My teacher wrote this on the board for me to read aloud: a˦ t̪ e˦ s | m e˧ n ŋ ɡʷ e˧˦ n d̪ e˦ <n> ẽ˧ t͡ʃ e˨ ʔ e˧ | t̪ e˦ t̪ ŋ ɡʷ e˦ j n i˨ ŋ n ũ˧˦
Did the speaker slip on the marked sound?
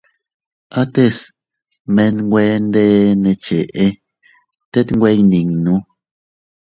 no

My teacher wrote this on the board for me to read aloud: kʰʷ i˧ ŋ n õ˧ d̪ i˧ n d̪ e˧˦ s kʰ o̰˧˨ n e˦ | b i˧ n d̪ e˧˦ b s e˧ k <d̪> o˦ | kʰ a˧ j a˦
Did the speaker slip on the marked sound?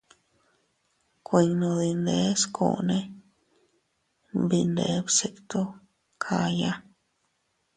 yes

